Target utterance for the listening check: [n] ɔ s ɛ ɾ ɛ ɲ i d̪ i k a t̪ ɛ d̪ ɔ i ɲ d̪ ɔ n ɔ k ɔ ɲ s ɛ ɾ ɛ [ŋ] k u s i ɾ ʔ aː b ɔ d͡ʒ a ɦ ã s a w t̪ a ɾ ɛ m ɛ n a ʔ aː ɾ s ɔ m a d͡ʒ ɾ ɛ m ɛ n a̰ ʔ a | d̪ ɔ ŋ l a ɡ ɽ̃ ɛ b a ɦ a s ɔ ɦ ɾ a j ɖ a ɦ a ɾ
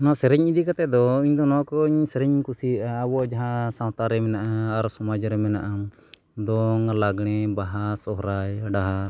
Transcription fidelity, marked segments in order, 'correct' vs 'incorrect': correct, incorrect: ɲ

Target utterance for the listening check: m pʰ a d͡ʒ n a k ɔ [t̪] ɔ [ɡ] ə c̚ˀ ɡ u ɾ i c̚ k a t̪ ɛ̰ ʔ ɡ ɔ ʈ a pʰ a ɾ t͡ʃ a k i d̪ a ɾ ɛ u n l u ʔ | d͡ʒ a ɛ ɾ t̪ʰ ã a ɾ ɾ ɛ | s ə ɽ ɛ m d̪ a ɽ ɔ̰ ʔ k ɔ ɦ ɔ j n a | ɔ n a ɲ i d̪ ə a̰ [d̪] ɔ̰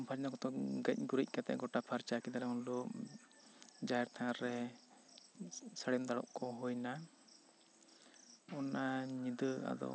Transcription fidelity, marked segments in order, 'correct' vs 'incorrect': correct, correct, correct

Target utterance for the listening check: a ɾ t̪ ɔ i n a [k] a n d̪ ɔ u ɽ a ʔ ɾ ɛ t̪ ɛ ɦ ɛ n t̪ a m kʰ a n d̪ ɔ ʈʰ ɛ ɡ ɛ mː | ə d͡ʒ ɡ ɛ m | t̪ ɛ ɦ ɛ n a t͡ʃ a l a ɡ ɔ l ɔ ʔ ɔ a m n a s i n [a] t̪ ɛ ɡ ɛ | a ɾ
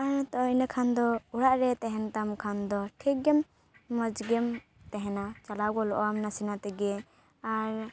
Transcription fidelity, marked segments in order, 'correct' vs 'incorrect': incorrect: kʰ, correct

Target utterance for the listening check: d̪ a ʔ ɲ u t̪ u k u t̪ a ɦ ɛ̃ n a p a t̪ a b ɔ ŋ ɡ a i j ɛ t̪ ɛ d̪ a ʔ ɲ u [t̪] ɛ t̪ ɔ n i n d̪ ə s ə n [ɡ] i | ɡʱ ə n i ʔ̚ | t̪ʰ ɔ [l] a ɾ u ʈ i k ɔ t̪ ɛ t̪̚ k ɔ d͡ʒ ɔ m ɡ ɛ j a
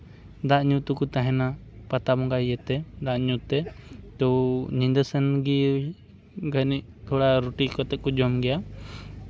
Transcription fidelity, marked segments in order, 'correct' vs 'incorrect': correct, correct, incorrect: ɽ

